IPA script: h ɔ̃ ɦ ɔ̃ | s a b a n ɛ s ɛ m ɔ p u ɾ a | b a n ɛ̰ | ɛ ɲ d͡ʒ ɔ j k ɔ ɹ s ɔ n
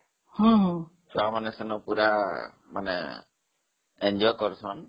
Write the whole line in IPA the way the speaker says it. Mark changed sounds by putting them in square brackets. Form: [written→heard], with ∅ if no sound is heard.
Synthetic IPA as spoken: h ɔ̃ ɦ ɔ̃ | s a [b→m] a n ɛ s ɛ [m→n] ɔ p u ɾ a | [b→m] a n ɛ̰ | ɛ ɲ d͡ʒ ɔ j k ɔ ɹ s ɔ n